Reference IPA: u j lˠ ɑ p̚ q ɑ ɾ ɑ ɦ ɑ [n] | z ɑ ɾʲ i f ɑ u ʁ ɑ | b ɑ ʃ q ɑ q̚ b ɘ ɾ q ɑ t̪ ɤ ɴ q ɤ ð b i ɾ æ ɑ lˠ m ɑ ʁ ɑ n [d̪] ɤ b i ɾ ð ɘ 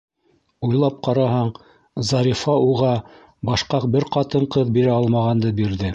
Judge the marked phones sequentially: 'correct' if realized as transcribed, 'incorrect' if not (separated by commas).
incorrect, correct